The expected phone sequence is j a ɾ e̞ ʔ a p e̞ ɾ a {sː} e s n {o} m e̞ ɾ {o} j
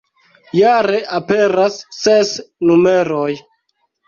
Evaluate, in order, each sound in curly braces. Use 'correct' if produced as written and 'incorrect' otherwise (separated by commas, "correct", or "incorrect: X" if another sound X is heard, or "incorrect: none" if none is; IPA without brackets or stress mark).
correct, incorrect: u, correct